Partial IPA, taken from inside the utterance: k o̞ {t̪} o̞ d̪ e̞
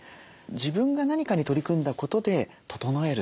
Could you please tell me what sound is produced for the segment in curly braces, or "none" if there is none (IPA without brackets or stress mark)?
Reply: t̪